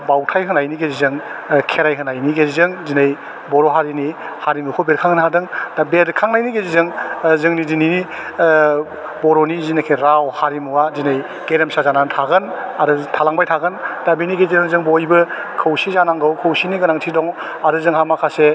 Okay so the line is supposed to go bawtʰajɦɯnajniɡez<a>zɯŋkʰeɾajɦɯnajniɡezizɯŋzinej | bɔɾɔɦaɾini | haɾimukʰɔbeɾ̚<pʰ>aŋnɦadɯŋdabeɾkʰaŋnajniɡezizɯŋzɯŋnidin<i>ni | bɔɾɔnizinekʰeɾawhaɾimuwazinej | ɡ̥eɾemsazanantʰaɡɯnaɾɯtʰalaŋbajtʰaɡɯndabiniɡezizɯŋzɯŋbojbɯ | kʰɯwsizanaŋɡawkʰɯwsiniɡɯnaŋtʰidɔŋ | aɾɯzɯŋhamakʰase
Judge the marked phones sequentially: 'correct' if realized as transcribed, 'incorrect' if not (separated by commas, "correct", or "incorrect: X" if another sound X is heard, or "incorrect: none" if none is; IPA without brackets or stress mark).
incorrect: i, incorrect: kʰ, correct